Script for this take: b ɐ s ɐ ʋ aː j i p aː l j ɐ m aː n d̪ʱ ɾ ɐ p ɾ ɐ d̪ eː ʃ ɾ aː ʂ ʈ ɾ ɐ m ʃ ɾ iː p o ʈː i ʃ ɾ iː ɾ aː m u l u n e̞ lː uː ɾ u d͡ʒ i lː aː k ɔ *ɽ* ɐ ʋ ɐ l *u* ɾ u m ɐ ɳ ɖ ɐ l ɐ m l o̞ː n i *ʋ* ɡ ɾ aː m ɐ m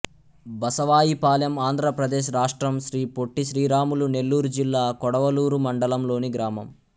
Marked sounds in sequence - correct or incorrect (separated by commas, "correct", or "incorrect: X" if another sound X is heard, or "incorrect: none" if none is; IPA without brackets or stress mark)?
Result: correct, incorrect: uː, incorrect: none